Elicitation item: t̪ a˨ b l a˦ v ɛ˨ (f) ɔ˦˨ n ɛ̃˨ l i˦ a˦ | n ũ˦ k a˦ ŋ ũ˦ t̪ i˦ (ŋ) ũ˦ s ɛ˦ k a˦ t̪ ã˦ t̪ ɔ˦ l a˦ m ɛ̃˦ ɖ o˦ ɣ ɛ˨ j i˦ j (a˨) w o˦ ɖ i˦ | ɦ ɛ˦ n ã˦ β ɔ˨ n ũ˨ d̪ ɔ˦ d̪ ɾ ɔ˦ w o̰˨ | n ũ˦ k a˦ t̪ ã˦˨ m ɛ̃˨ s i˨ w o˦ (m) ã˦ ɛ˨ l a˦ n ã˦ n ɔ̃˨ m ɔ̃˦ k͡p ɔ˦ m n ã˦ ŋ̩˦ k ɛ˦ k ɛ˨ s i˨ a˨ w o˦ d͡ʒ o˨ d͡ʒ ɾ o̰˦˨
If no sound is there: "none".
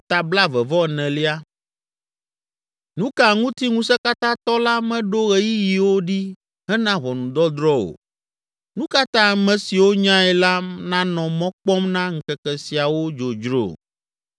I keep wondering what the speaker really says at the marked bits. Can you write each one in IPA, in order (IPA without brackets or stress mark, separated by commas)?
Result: v, ŋ, i˨, ɲ